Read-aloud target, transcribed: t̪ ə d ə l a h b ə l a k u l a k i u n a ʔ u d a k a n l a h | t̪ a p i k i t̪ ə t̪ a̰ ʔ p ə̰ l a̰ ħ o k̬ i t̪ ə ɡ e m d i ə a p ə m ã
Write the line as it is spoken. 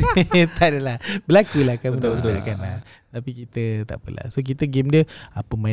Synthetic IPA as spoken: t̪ a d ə l a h b ə l a k u l a k a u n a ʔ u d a k a n l a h | t̪ a p i k i t̪ ə t̪ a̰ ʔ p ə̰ l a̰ s o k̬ i t̪ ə ɡ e m d i ə a p ə m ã